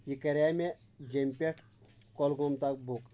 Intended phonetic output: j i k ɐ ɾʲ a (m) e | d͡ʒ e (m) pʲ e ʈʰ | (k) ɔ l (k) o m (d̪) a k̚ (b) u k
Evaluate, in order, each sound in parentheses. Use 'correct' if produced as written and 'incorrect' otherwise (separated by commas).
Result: correct, correct, correct, incorrect, incorrect, correct